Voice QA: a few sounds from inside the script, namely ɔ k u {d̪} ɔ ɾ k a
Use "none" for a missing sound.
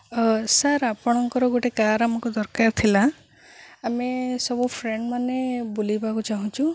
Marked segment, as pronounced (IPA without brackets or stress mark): d̪